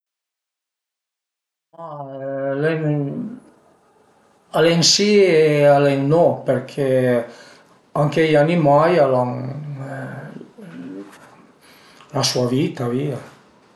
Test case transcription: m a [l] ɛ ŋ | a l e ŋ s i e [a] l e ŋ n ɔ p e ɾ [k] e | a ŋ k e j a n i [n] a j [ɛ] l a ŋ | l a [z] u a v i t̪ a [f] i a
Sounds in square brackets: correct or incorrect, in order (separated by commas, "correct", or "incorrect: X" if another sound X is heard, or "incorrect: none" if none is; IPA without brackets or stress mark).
correct, correct, incorrect: kʰ, incorrect: m, incorrect: a, incorrect: s, incorrect: v